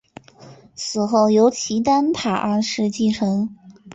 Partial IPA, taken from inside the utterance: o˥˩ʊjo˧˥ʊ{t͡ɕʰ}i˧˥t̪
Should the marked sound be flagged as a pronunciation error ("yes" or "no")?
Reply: no